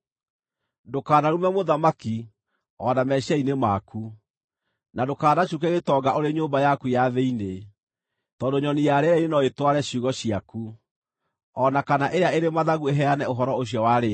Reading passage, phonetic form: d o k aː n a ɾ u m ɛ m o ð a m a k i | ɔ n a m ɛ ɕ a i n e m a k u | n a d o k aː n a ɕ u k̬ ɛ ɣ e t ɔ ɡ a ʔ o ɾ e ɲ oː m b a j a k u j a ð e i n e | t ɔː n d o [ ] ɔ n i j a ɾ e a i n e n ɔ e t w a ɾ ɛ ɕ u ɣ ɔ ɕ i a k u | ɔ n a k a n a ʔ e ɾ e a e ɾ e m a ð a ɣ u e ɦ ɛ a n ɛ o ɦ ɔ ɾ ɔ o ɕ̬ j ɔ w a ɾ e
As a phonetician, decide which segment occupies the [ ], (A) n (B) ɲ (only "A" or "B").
B